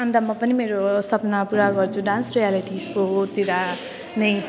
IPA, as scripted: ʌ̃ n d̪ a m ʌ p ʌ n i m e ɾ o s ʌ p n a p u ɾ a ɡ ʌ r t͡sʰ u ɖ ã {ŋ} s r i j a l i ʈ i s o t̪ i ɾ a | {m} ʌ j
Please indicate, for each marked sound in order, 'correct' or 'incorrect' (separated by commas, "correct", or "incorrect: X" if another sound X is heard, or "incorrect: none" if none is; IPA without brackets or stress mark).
incorrect: n, incorrect: n